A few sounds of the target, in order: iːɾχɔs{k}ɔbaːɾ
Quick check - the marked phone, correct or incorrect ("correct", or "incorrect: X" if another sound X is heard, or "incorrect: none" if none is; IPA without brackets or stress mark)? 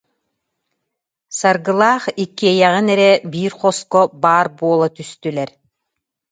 correct